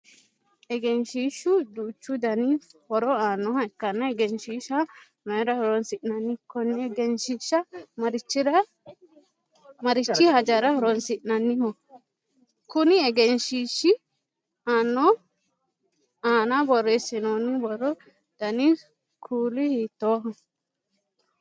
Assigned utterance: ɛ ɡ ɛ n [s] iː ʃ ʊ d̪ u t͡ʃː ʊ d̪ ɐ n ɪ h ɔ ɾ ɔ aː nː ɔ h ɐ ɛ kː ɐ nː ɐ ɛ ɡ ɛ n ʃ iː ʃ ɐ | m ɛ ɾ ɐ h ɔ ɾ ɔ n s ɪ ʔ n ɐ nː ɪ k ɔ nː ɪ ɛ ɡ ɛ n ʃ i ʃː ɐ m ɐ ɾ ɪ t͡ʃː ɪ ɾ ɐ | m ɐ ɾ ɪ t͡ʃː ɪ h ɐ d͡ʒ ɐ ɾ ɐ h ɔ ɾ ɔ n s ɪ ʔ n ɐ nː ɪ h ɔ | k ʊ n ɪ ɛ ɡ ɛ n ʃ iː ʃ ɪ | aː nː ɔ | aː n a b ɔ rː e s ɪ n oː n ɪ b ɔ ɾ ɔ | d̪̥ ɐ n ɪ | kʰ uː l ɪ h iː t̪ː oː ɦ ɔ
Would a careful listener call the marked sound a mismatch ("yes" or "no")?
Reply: yes